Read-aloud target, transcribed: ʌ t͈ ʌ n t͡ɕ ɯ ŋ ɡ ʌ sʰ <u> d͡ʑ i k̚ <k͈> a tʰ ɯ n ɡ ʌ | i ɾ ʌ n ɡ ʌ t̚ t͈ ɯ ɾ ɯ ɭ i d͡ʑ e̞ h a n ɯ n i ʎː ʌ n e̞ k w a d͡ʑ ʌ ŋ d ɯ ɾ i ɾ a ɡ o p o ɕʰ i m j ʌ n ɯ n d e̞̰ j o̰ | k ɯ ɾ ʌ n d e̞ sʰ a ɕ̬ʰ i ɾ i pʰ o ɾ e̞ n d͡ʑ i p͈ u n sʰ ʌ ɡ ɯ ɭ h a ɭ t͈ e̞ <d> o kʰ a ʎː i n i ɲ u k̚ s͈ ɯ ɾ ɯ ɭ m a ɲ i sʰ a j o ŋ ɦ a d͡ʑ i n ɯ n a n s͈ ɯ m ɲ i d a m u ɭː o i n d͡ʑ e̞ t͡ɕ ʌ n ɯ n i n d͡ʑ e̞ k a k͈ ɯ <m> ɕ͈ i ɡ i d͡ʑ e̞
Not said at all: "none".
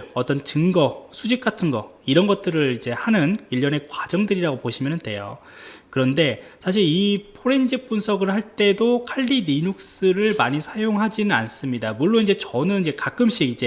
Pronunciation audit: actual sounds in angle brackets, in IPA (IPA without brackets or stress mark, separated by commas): u, k͈, d, m